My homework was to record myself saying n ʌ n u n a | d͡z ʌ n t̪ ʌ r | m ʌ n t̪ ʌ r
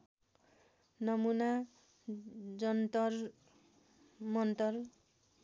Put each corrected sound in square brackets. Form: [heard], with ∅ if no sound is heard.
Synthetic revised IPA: n ʌ [m] u n a | d͡z ʌ n t̪ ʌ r | m ʌ n t̪ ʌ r

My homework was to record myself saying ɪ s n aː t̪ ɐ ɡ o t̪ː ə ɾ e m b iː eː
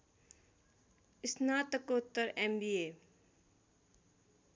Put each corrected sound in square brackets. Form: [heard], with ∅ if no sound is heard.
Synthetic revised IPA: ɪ s n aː t̪ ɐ [k] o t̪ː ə ɾ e m b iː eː

